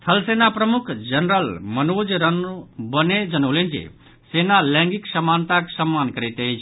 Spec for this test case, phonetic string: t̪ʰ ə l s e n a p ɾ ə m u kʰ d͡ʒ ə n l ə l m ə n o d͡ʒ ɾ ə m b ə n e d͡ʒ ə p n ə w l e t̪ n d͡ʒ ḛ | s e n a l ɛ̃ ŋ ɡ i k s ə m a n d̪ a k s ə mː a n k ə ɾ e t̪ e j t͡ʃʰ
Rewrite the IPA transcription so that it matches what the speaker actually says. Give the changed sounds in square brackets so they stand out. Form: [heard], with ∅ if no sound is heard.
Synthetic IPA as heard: t̪ʰ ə l s e n a p ɾ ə m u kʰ d͡ʒ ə n [ɾ] ə l m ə n o d͡ʒ ɾ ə [n] b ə n e d͡ʒ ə [∅] n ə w l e [∅] n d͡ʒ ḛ | s e n a l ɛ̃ ŋ ɡ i k s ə m a n [t̪] a k s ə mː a n k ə ɾ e t̪ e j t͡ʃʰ